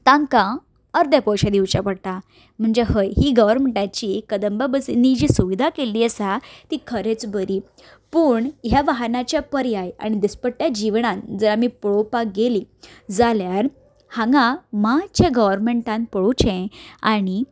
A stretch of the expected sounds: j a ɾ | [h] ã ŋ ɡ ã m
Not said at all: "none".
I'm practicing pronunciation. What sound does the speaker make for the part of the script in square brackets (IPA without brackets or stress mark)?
h